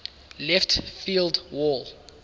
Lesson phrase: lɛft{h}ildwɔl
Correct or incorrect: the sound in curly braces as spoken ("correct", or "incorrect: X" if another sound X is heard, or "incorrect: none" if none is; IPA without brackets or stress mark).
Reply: incorrect: f